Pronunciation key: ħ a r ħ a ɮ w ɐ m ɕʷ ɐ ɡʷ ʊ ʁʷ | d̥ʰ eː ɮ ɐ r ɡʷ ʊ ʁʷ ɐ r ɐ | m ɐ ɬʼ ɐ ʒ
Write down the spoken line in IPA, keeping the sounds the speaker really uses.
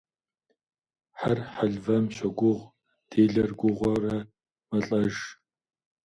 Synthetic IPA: ħ a r ħ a ɮ v ɐ m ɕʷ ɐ ɡʷ ʊ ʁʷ | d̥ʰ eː ɮ ɐ r ɡʷ ʊ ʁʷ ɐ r ɐ | m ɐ ɬʼ ɐ ʒ